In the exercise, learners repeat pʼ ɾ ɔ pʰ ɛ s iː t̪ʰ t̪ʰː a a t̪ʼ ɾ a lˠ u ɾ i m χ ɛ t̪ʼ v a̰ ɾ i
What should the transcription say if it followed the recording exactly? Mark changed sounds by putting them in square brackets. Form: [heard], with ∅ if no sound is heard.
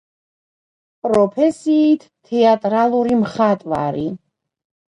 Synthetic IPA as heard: pʼ ɾ ɔ pʰ ɛ s iː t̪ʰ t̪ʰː [ɛ] a t̪ʼ ɾ a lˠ u ɾ i m χ [a] t̪ʼ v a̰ ɾ i

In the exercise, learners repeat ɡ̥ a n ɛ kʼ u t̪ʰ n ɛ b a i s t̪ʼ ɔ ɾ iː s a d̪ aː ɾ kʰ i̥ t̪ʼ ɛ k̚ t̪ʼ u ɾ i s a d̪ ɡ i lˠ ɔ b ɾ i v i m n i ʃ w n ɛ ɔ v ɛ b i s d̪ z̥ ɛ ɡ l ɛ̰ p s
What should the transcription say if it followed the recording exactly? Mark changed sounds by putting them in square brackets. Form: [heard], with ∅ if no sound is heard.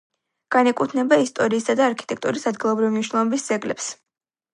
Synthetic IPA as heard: ɡ̥ a n ɛ kʼ u t̪ʰ n ɛ b a i s t̪ʼ ɔ ɾ iː s a d̪ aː ɾ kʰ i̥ t̪ʼ ɛ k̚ t̪ʼ u ɾ i s a d̪ ɡ i lˠ ɔ b ɾ i v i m n i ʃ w n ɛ ɔ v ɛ b i s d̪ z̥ ɛ ɡ l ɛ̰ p s

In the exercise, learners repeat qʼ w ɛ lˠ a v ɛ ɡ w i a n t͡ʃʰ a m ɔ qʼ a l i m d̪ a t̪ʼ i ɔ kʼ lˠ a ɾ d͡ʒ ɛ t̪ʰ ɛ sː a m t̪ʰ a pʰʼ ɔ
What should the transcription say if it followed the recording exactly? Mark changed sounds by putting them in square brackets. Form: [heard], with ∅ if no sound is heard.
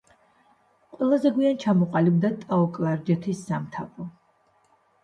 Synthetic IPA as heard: qʼ w ɛ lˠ a [z] ɛ ɡ w i a n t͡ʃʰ a m ɔ qʼ a l i [b] d̪ a t̪ʼ [a] ɔ kʼ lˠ a ɾ d͡ʒ ɛ t̪ʰ [i] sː a m t̪ʰ a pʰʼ ɔ

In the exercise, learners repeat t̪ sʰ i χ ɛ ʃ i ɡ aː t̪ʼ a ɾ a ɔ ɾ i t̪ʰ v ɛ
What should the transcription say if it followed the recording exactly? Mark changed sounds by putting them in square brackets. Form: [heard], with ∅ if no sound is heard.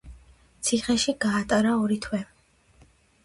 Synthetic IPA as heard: t̪ sʰ i χ ɛ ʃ i ɡ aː t̪ʼ a ɾ a ɔ ɾ i t̪ʰ [w] ɛ

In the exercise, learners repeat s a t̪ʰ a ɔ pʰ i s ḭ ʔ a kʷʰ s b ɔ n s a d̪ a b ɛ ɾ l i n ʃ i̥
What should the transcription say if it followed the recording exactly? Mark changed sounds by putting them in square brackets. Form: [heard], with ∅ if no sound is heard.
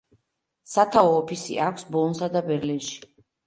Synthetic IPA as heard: s a t̪ʰ a [ɔː] pʰ i s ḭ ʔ a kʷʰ s b ɔ n s a d̪ a b ɛ ɾ l i n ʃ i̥

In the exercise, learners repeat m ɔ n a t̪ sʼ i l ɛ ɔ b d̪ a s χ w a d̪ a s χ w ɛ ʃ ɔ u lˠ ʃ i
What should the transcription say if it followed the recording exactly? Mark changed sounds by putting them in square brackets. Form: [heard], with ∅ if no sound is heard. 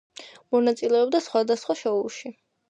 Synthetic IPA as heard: m ɔ n a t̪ sʼ i l ɛ ɔ b d̪ a s χ w a d̪ a s χ w [a] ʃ ɔ u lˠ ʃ i

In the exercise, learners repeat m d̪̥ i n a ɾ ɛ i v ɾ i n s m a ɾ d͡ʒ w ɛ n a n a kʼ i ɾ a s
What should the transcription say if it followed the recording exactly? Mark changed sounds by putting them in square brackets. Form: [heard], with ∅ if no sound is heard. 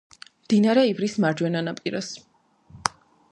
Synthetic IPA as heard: m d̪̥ i n a ɾ ɛ i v ɾ i [∅] s m a ɾ d͡ʒ w ɛ n a n a [pʼ] i ɾ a s

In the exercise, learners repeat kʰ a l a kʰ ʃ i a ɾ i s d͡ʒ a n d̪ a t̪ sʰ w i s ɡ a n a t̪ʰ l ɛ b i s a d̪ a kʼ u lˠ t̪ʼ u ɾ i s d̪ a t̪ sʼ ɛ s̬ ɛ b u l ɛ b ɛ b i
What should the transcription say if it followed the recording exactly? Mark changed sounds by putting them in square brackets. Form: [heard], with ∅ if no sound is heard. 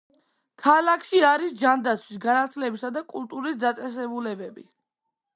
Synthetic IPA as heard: kʰ a l a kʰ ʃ i a ɾ i s d͡ʒ a n d̪ a t̪ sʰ w i s ɡ a n a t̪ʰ l ɛ b i s a d̪ a kʼ u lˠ t̪ʼ u ɾ i s d̪ a t̪ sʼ ɛ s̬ ɛ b u l ɛ b ɛ b i

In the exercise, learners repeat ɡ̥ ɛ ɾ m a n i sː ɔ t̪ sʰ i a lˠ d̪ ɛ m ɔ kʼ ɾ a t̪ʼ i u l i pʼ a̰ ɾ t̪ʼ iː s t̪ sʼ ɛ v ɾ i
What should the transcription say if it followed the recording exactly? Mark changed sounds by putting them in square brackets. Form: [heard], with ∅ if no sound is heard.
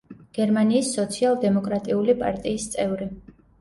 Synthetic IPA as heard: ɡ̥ ɛ ɾ m a n [iː] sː ɔ t̪ sʰ i a lˠ d̪ ɛ m ɔ kʼ ɾ a t̪ʼ i u l i pʼ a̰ ɾ t̪ʼ iː s t̪ sʼ ɛ v ɾ i

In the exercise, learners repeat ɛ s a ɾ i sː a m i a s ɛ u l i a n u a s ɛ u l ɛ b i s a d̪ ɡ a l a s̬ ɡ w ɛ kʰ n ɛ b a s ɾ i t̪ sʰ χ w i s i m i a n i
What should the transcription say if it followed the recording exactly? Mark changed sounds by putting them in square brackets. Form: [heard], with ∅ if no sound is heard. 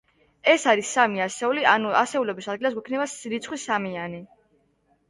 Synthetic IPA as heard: ɛ s a ɾ i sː a m i a s ɛ u l i a n u a s ɛ u l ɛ b i s a d̪ ɡ [i] l a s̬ ɡ w ɛ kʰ n ɛ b a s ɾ i t̪ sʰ χ w i s [a] m i a n i

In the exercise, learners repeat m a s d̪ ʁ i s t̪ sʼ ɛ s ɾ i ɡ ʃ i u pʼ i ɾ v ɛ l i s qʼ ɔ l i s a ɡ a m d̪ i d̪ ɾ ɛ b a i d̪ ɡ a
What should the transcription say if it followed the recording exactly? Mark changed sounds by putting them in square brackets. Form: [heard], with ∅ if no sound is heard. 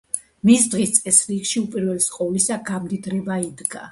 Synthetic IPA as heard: m [i] s d̪ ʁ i s t̪ sʼ ɛ s ɾ i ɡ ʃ i u pʼ i ɾ v ɛ l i s qʼ ɔ l i s a ɡ a m d̪ i d̪ ɾ ɛ b a i d̪ ɡ a

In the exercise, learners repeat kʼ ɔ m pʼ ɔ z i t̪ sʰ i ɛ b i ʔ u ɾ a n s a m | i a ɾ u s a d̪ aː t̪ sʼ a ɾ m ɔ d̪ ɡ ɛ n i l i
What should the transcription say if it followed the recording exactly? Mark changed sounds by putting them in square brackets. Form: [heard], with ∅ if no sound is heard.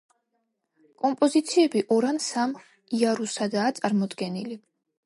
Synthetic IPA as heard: kʼ ɔ m pʼ ɔ z i t̪ sʰ i ɛ b i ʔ [ɔ] ɾ a n s a m | i a ɾ u s a d̪ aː t̪ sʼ a ɾ m ɔ d̪ ɡ ɛ n i l i

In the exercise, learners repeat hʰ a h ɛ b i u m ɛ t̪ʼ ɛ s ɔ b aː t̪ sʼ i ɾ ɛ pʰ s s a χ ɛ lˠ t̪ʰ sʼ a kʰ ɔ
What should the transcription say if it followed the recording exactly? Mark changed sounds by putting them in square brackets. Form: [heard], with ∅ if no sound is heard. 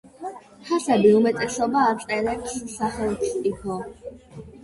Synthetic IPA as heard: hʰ a [s] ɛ b i u m ɛ t̪ʼ ɛ s ɔ b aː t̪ sʼ [ɛ] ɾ ɛ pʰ s s a χ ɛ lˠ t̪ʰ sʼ [i] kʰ ɔ

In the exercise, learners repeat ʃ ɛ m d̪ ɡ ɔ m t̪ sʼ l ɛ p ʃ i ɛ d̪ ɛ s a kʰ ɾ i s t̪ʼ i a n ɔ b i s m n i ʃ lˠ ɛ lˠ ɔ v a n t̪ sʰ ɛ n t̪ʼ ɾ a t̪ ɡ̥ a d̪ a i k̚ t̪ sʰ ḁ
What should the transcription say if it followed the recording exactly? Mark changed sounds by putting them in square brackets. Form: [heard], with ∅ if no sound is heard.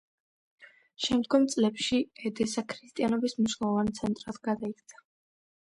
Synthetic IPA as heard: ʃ ɛ m d̪ ɡ ɔ m t̪ sʼ l ɛ p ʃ i ɛ d̪ ɛ s a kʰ ɾ i s t̪ʼ i a n ɔ b i s m n i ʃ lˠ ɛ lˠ ɔ v a n t̪ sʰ ɛ n t̪ʼ ɾ a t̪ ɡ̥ a d̪ a i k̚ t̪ sʰ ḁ

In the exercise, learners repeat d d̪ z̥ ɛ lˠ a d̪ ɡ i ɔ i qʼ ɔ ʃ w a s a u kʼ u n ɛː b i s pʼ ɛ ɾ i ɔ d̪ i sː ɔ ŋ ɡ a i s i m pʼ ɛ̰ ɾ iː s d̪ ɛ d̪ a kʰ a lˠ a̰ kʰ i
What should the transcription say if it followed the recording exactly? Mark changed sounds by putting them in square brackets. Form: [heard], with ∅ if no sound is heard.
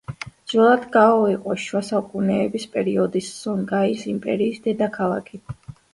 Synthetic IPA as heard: d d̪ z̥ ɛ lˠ a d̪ ɡ [a] ɔ i qʼ ɔ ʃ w a s a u kʼ u n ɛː b i s pʼ ɛ ɾ i ɔ d̪ i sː ɔ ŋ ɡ a i s i m pʼ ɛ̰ ɾ iː s d̪ ɛ d̪ a kʰ a lˠ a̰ kʰ i

